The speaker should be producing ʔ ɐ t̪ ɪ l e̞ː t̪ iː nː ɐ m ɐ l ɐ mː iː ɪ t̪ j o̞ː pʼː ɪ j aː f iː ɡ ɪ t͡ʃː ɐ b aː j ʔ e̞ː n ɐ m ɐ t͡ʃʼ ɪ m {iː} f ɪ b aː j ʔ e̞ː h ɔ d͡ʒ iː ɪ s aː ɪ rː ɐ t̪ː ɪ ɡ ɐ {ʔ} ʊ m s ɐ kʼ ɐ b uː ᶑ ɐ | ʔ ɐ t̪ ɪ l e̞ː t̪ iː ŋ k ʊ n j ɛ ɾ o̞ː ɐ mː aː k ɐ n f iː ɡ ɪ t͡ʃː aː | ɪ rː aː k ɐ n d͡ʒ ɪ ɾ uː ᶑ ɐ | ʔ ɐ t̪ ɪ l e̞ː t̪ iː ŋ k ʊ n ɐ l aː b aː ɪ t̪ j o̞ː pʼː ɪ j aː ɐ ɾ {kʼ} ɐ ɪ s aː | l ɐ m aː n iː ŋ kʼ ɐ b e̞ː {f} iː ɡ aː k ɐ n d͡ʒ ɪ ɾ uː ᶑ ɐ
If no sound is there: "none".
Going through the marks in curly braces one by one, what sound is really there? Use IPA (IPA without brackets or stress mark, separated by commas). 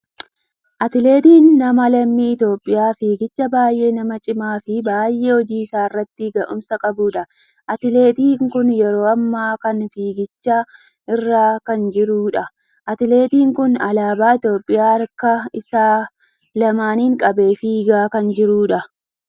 aː, ʔ, k, f